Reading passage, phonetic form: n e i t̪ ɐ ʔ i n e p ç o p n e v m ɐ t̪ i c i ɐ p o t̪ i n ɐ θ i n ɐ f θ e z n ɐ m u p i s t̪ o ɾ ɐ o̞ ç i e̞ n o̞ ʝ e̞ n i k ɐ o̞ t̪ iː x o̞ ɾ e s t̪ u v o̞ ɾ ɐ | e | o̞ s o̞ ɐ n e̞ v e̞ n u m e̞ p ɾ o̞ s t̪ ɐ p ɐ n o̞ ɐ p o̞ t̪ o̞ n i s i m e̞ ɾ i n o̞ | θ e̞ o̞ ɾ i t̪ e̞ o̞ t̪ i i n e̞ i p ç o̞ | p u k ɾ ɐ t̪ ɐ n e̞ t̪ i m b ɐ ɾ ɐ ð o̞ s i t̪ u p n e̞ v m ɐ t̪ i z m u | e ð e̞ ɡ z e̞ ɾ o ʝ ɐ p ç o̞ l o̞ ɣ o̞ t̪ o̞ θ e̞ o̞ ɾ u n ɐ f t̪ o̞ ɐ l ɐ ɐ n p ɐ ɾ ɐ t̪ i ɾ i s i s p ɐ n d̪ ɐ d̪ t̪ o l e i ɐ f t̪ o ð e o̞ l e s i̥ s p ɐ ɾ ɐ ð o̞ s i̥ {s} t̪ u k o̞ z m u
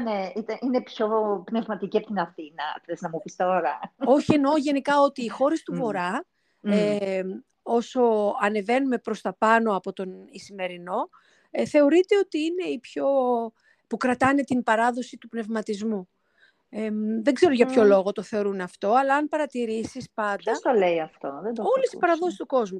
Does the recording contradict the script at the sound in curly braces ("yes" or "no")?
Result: no